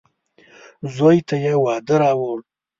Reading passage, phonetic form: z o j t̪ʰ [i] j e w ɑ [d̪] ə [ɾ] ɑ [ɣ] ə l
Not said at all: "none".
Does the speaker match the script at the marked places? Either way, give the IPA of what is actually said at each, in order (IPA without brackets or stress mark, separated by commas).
a, d̪, ɾ, w